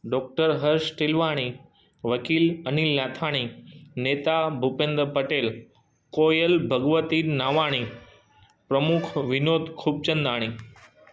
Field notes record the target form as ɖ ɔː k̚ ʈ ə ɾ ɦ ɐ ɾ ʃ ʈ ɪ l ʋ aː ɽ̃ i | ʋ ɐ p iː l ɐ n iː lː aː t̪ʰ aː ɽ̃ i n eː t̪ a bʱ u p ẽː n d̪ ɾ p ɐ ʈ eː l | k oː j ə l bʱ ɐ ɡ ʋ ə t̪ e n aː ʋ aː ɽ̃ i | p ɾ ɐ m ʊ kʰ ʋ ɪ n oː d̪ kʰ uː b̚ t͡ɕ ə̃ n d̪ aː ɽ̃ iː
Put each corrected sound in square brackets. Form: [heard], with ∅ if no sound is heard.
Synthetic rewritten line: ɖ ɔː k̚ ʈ ə ɾ ɦ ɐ ɾ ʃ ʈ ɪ l ʋ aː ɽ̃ i | ʋ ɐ [k] iː l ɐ n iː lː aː t̪ʰ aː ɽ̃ i n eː t̪ a bʱ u p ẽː n d̪ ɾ p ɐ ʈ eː l | k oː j ə l bʱ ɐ ɡ ʋ ə t̪ [i] n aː ʋ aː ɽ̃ i | p ɾ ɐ m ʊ kʰ ʋ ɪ n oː d̪ kʰ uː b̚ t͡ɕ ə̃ n d̪ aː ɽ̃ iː